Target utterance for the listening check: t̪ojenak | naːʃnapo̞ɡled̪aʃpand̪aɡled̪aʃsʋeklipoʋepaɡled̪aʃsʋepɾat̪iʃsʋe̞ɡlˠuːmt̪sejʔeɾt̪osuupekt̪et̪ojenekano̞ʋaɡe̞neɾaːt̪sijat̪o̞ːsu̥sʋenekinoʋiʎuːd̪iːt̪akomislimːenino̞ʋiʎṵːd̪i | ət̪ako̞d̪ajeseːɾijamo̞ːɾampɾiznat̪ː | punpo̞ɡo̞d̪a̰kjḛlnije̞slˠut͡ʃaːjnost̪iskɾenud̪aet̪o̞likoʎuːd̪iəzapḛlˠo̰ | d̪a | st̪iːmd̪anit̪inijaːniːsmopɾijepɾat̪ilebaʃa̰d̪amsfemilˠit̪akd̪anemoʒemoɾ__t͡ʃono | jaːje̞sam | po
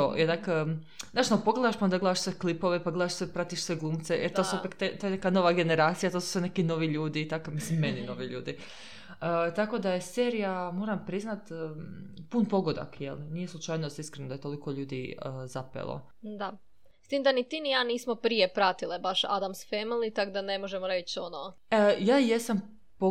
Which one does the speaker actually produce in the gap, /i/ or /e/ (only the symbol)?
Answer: e